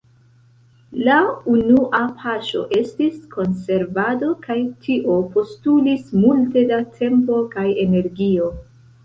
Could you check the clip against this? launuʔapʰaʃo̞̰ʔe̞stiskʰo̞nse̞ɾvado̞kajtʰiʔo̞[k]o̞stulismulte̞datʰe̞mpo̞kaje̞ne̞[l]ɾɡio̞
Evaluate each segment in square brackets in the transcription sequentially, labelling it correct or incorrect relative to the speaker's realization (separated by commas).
incorrect, incorrect